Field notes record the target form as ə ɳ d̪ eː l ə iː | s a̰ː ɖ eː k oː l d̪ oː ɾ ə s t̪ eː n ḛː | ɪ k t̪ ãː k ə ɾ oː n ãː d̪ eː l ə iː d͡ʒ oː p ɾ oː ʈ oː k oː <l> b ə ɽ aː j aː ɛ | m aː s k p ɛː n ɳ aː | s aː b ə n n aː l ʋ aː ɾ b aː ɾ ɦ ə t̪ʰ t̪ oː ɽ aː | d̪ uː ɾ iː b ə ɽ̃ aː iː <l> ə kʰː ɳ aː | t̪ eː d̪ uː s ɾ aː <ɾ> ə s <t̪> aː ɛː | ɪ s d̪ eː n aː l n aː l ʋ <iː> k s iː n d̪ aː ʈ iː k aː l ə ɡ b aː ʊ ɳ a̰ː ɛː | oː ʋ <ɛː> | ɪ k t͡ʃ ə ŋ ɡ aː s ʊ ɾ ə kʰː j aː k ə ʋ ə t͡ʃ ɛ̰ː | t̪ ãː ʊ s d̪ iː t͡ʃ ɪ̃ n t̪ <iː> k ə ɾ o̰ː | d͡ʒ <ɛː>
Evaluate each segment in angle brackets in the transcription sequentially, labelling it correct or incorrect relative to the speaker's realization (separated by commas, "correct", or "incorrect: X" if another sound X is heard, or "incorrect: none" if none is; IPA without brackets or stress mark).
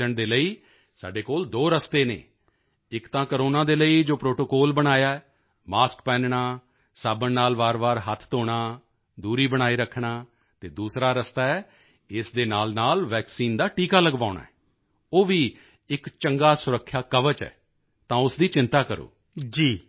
correct, incorrect: ɾ, correct, correct, incorrect: ɛː, incorrect: iː, incorrect: aː, incorrect: iː